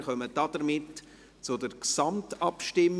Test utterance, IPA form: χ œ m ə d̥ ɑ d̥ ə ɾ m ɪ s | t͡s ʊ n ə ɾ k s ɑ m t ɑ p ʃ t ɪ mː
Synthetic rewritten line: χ œ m ə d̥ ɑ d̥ ə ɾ m ɪ t | t͡s ʊ d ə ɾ k s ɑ m t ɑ p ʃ t ɪ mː